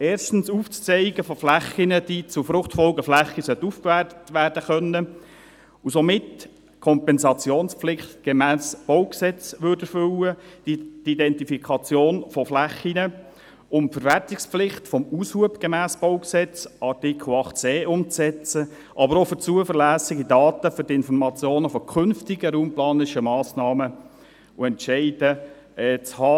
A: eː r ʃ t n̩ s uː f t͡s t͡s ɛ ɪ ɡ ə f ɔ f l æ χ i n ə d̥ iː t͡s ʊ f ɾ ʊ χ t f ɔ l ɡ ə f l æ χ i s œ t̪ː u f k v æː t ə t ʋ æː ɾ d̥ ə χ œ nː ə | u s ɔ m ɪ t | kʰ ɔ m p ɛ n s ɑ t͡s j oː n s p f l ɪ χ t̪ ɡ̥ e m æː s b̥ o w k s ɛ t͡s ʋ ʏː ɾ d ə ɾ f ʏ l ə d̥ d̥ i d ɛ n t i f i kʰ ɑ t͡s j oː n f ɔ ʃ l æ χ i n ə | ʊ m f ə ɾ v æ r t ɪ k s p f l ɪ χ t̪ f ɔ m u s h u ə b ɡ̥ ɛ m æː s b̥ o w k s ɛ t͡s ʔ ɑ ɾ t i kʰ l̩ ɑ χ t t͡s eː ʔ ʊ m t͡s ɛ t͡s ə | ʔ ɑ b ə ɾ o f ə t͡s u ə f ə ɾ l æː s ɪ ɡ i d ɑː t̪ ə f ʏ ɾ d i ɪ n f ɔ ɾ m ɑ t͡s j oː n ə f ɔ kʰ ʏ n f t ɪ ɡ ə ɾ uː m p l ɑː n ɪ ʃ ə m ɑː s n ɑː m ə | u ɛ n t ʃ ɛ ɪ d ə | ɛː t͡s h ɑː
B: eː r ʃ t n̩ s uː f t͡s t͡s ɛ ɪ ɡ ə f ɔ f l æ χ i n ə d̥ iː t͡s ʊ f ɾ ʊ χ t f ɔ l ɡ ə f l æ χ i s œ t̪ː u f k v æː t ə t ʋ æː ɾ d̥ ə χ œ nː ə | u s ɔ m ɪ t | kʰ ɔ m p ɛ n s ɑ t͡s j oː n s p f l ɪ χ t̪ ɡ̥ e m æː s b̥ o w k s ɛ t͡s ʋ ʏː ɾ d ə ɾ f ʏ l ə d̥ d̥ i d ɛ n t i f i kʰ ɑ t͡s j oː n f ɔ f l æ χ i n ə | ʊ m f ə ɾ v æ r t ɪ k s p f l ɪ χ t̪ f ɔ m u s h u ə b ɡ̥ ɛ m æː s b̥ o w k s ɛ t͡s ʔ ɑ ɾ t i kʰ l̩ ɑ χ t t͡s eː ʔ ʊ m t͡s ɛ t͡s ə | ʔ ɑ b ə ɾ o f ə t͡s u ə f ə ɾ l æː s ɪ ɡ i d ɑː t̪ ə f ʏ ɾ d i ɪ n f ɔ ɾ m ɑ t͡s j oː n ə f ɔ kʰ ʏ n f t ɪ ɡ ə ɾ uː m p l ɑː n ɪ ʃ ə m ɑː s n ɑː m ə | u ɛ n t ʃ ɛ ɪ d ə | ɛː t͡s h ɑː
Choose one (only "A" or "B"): B